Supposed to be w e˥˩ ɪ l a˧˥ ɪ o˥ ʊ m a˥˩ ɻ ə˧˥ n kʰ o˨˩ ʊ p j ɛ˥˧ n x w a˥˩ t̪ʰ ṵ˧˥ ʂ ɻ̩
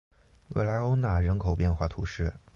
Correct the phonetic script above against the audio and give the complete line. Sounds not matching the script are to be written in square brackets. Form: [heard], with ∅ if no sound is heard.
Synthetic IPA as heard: w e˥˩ ɪ l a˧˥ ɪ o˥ ʊ [n] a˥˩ ɻ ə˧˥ n kʰ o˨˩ ʊ p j ɛ˥˧ n x w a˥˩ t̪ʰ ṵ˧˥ ʂ ɻ̩